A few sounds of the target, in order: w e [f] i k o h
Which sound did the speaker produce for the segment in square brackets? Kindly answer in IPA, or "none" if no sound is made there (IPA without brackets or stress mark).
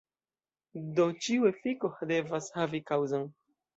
f